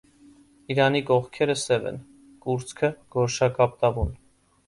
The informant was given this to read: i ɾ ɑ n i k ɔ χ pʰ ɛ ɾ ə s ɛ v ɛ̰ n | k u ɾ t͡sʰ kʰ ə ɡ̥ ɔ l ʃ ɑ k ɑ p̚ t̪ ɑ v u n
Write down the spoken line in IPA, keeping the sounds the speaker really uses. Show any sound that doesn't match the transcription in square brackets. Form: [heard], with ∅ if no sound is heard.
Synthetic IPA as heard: i ɾ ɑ n i k ɔ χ [kʰ] ɛ ɾ ə s ɛ v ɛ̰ n | k u ɾ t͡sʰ kʰ ə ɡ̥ ɔ [ɾ] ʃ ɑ k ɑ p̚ t̪ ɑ v u n